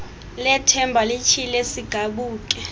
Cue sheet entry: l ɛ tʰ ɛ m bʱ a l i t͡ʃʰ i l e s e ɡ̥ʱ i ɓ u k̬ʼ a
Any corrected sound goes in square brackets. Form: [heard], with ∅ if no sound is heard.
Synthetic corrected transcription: l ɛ tʰ ɛ m bʱ a l i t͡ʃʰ i l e s [i] ɡ̥ʱ [a] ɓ [uː] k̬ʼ [ɛ]